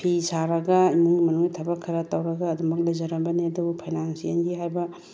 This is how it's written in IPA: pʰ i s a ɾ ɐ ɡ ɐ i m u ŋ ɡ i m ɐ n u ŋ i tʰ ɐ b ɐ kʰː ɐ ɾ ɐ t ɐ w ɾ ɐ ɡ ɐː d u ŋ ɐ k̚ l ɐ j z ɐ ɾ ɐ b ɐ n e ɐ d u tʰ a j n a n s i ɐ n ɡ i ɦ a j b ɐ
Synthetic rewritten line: pʰ i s a ɾ ɐ ɡ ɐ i m u ŋ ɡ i m ɐ n u ŋ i tʰ ɐ b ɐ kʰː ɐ ɾ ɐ t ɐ w ɾ ɐ ɡ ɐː d u m ɐ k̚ l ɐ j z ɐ ɾ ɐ b ɐ n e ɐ d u pʰ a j n a n s i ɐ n ɡ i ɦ a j b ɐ